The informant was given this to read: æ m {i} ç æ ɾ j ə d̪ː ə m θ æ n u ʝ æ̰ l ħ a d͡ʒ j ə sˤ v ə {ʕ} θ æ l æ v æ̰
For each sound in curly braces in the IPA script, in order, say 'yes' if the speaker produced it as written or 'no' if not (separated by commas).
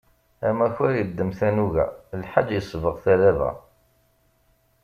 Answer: no, no